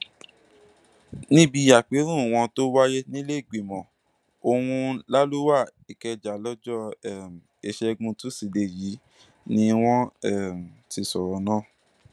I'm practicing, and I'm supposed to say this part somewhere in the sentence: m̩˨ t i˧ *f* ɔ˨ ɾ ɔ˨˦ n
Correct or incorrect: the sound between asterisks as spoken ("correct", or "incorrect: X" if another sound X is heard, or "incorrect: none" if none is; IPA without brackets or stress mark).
incorrect: s